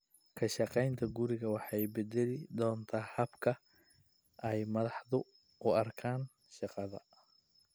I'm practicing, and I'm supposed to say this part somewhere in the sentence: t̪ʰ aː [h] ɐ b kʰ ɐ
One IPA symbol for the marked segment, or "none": h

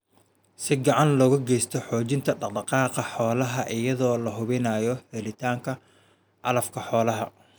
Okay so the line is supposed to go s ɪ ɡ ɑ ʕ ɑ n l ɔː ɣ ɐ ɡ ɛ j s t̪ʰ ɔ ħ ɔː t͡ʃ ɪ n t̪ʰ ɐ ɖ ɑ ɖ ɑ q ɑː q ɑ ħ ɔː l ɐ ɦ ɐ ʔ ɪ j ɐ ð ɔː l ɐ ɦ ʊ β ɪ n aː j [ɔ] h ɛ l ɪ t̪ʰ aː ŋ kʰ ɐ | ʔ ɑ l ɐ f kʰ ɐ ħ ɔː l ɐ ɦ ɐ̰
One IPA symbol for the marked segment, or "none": ɔ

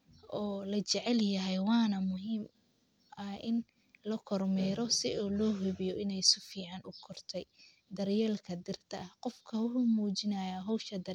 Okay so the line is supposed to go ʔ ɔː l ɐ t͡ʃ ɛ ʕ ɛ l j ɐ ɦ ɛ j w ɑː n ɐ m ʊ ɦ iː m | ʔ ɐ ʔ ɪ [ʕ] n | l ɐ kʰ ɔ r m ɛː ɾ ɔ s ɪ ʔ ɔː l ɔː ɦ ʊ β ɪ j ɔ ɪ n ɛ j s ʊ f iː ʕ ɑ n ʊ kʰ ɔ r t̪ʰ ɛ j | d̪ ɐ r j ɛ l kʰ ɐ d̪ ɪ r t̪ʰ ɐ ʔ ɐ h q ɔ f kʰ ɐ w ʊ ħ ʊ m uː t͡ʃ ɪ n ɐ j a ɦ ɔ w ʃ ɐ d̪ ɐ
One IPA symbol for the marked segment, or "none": none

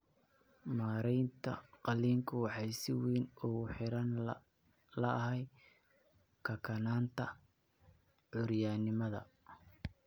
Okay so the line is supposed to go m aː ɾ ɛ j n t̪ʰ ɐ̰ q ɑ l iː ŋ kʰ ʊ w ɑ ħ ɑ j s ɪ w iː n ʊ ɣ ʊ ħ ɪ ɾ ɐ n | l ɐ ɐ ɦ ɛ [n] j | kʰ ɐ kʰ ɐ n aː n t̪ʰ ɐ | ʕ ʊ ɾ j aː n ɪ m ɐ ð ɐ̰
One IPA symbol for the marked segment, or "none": none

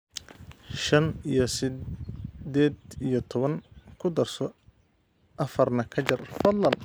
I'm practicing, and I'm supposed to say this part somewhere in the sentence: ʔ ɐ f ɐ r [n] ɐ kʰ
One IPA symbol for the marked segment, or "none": n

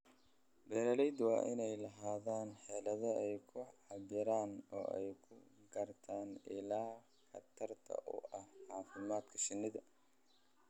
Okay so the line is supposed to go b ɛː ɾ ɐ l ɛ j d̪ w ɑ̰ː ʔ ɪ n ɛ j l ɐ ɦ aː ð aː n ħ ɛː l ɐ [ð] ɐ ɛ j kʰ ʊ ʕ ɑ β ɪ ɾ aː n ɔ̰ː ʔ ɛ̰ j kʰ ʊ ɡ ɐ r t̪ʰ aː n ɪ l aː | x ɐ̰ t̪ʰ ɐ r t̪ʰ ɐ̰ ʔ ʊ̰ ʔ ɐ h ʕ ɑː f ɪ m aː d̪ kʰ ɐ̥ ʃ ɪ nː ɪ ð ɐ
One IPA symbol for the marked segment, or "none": ð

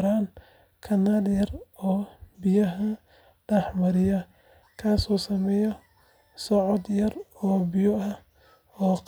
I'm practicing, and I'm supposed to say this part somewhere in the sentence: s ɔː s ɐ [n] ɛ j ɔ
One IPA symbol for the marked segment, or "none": m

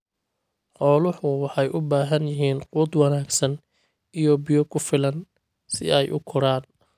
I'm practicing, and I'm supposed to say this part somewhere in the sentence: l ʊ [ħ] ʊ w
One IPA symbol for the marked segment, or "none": ħ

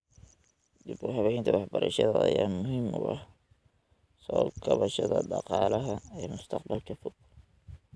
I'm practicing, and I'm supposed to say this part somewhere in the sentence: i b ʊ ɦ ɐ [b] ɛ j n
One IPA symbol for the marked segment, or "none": β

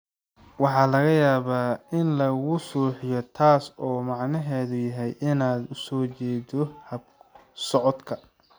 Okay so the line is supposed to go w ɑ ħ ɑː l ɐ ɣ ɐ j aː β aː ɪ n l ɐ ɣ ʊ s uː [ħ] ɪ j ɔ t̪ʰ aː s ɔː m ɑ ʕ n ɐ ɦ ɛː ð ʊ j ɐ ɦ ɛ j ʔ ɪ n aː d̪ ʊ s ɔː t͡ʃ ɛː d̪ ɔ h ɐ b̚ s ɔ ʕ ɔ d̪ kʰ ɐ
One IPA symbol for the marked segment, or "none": ħ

